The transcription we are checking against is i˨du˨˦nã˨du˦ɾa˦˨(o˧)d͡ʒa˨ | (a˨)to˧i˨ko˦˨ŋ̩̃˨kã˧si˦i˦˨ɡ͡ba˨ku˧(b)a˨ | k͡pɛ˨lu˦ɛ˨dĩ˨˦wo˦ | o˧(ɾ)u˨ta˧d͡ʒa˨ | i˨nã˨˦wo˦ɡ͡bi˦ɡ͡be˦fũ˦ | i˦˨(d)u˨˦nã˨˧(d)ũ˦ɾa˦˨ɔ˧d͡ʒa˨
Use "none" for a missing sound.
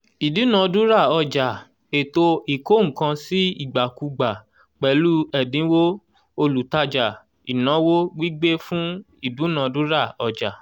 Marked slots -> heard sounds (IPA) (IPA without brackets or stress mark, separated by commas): ɔ˧, e˨, ɡ͡b, l, d, d